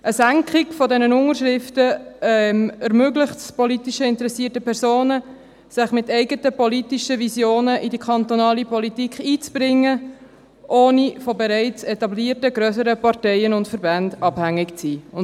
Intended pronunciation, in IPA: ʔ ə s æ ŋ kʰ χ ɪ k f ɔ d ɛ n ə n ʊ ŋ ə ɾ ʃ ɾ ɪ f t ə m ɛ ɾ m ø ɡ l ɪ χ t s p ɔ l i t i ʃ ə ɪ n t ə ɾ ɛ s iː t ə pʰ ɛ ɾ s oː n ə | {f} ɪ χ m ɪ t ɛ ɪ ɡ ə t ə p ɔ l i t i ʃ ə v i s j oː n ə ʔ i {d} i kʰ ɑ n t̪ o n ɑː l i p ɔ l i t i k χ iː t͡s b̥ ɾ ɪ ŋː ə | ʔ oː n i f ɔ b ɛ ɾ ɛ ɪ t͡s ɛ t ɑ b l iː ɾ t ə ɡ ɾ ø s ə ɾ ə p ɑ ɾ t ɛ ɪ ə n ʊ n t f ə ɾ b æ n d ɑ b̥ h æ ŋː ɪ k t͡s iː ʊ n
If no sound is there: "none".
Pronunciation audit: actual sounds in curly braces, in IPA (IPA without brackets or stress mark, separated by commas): s, d